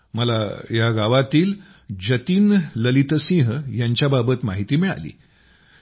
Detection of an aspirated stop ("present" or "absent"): absent